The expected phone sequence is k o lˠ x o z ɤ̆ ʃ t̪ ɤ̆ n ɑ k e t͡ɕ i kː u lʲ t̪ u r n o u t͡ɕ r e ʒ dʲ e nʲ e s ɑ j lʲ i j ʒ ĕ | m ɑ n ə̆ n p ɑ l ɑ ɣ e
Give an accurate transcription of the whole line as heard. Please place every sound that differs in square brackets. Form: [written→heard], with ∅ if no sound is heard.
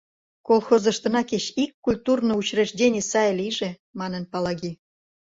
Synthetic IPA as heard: k o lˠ x o z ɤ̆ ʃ t̪ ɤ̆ n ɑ k e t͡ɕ i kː u lʲ t̪ u r n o u t͡ɕ r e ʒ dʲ e nʲ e s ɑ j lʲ i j ʒ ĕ | m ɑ n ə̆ n p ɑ l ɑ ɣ [e→i]